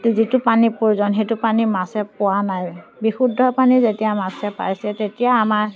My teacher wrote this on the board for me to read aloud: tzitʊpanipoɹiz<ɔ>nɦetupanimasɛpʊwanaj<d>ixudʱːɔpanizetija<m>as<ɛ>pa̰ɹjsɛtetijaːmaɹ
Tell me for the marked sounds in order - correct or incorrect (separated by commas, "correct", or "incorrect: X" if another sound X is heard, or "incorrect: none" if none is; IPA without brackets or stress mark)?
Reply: correct, incorrect: b, correct, correct